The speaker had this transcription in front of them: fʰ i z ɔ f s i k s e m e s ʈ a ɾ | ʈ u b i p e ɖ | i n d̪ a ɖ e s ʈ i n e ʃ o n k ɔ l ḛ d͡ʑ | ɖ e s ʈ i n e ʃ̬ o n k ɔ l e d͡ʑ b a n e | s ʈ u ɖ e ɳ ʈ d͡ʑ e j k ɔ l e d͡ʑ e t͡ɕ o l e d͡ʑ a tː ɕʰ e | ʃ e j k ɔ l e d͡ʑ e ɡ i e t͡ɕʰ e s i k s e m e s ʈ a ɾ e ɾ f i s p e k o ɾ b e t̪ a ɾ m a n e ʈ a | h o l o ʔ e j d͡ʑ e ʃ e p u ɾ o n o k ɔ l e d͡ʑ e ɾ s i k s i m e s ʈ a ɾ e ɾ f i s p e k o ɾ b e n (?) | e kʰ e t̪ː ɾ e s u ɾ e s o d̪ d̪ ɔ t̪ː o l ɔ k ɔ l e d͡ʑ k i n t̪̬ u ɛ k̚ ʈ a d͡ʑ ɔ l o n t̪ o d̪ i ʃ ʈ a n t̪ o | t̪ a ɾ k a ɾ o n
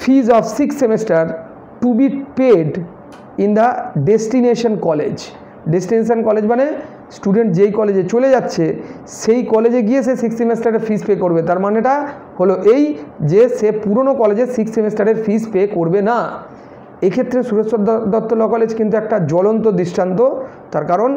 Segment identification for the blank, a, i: a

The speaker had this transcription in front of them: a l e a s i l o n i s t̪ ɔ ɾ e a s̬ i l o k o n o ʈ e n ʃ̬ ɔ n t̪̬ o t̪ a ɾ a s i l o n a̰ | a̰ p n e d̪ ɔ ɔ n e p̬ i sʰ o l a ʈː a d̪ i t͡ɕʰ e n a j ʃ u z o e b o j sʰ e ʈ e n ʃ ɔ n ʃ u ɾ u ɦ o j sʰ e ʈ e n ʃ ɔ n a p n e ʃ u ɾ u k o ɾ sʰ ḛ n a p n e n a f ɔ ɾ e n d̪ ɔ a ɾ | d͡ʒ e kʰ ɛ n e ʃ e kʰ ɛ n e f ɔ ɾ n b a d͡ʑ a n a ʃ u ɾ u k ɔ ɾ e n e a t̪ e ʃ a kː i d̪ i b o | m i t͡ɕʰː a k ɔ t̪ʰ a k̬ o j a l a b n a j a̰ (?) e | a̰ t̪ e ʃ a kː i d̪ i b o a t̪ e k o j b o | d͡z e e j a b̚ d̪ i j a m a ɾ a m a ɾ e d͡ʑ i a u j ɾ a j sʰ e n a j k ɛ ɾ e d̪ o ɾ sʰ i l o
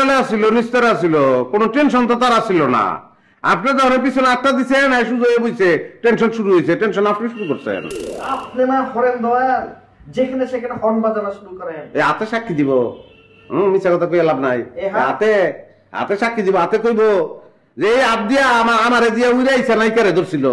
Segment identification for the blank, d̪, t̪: t̪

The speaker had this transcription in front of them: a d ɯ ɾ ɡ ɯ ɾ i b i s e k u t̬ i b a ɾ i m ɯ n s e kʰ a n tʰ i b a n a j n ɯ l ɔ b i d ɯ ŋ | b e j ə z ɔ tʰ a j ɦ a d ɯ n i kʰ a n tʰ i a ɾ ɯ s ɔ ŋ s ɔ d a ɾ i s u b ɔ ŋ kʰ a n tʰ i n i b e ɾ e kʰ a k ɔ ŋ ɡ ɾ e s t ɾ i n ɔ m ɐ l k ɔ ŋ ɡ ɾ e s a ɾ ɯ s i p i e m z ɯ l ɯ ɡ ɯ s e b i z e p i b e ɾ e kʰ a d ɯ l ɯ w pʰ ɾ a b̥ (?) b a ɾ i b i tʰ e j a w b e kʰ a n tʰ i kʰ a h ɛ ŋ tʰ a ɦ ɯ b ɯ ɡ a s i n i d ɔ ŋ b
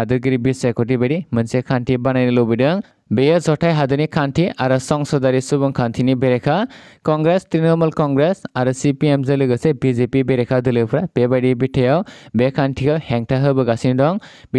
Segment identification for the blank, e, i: e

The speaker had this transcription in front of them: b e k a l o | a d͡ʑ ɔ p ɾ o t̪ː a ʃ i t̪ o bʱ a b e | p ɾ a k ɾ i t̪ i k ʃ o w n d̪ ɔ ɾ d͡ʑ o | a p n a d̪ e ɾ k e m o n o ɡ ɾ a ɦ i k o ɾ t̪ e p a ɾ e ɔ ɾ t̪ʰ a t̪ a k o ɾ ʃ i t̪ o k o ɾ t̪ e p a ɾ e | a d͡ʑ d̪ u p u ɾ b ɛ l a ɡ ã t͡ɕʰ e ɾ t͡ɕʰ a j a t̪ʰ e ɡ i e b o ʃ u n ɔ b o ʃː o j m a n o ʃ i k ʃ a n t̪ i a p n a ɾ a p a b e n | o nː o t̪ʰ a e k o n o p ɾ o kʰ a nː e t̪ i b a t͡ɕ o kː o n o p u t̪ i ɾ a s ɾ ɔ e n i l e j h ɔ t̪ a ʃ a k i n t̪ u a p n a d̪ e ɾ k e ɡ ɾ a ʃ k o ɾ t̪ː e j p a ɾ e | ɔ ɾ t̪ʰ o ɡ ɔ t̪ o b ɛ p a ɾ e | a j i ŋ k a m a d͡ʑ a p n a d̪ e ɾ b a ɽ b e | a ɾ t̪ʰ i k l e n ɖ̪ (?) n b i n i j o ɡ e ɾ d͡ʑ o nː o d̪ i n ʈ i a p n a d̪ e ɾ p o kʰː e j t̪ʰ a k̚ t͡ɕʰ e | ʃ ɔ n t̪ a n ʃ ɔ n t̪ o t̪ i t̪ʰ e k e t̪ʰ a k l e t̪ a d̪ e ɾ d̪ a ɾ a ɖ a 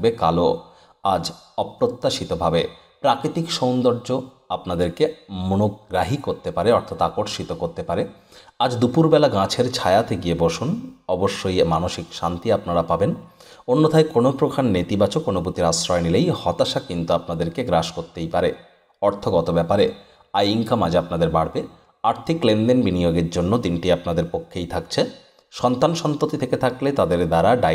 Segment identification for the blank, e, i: e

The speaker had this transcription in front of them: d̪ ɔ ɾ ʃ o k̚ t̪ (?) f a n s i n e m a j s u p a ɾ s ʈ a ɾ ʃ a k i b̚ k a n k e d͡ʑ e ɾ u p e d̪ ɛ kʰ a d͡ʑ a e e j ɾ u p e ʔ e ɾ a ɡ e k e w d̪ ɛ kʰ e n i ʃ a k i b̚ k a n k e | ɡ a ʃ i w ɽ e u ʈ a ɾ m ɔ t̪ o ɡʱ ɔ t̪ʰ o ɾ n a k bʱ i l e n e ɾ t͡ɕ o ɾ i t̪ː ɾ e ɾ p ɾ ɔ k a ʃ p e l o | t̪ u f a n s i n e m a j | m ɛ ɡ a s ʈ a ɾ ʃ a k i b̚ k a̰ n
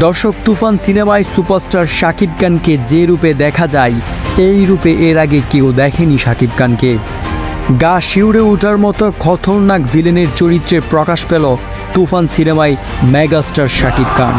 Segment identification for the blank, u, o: u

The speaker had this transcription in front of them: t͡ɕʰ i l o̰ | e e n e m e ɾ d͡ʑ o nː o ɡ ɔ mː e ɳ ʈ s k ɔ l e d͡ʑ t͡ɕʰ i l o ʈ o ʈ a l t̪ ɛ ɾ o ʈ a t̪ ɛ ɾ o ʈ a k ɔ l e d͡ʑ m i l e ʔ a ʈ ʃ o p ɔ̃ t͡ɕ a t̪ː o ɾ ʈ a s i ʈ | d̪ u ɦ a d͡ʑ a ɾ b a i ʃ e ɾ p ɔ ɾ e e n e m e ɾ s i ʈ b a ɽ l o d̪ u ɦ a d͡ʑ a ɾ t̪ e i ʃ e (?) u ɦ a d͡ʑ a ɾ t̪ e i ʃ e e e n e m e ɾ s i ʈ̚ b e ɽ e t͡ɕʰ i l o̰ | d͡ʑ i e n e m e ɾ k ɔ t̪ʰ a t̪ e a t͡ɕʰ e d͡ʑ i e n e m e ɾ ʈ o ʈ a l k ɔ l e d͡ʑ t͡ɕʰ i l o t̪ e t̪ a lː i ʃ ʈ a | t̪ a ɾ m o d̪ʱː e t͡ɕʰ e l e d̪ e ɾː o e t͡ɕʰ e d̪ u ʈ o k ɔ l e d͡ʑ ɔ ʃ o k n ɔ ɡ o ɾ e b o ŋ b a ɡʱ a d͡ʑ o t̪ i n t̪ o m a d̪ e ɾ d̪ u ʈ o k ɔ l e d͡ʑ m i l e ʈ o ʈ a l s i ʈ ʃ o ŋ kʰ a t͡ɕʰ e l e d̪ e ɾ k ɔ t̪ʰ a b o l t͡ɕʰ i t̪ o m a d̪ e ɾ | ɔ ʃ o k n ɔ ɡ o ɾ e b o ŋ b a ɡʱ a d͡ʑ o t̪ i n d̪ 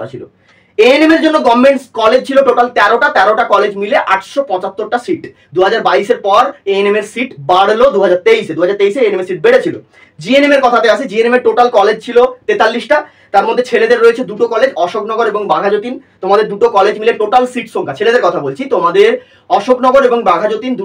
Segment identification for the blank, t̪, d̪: d̪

